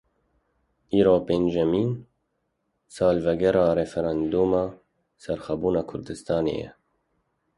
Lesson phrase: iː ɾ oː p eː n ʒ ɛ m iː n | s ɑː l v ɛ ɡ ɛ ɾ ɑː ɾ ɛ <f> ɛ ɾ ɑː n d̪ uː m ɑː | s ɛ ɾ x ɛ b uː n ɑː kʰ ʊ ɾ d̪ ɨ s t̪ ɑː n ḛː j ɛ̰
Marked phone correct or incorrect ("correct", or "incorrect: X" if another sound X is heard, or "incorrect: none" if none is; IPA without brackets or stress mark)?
correct